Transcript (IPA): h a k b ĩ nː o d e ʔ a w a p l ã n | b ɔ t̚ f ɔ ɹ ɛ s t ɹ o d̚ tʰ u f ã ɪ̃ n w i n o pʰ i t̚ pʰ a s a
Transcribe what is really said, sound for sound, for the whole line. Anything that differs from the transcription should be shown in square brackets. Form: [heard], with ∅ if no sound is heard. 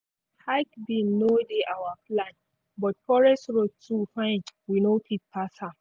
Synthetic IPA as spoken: h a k b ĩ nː o d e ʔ a w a p l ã n | b ɔ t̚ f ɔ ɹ ɛ s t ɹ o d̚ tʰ u f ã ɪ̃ n w i n o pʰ i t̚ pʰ a s a